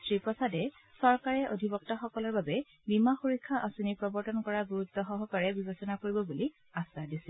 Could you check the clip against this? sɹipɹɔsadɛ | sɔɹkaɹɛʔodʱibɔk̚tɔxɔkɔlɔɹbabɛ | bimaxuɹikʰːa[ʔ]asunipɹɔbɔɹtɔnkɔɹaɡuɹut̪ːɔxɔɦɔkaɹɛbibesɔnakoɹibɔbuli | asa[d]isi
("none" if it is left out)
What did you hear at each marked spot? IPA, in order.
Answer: ʔ, d

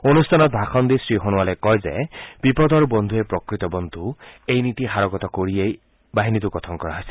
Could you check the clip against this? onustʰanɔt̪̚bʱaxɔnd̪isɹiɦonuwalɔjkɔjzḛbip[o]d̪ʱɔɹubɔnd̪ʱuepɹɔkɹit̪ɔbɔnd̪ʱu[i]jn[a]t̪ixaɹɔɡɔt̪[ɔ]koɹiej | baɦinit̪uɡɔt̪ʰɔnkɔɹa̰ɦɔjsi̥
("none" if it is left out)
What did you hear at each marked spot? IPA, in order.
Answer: ɔ, e, i, ɔ

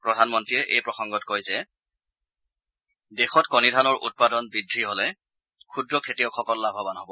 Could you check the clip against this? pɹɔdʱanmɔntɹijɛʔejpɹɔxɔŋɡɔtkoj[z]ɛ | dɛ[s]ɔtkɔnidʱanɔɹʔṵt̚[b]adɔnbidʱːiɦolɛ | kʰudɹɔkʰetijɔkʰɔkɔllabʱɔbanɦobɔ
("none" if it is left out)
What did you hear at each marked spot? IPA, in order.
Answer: z, x, p

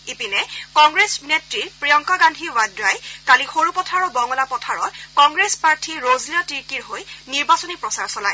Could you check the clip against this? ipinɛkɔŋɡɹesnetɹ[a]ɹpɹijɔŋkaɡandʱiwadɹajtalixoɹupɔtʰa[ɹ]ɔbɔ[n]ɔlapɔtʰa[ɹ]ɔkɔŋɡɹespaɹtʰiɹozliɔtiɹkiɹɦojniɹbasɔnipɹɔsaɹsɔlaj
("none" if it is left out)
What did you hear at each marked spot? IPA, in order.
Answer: i, ɹ, ŋ, ɹ

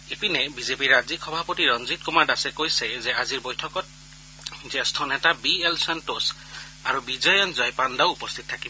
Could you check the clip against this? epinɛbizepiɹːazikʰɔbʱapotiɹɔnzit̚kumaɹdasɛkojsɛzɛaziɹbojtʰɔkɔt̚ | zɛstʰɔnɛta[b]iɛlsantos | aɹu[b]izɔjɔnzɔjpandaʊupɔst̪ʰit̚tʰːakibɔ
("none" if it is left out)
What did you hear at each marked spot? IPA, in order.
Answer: b, b

